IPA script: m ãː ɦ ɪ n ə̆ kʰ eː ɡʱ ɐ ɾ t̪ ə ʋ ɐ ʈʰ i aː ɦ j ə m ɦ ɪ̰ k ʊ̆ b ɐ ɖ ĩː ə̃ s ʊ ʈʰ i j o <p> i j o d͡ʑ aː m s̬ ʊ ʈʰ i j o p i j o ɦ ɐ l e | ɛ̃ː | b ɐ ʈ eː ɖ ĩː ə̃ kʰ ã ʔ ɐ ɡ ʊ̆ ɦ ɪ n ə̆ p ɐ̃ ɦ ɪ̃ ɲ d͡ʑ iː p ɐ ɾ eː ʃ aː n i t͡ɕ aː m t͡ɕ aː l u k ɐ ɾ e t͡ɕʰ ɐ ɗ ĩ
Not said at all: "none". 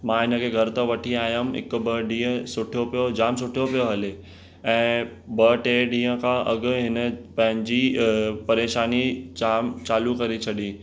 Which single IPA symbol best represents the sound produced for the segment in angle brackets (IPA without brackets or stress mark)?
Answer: p